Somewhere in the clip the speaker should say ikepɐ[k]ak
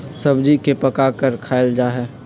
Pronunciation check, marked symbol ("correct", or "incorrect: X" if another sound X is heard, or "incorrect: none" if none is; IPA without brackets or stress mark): correct